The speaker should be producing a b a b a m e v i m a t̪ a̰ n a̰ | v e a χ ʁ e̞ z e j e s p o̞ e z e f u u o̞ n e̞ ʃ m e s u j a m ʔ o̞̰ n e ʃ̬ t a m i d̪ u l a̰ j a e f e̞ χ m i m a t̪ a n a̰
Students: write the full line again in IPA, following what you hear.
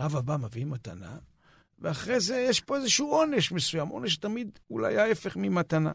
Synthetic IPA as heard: a v a b a m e v i m a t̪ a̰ n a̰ | v e a χ ʁ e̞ z e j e ʃ p o̞ e z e ʃ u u o̞ n e̞ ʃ m e s u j a m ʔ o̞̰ n e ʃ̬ t a m i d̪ u l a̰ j a e f e̞ χ m i m a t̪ a n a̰